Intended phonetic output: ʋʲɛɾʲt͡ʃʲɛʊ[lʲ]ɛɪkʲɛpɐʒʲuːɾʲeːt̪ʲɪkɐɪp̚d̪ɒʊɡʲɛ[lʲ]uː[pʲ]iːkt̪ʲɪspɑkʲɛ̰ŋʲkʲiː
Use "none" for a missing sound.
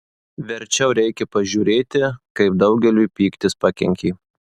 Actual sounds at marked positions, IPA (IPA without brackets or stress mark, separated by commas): ɾʲ, lʲ, pʲ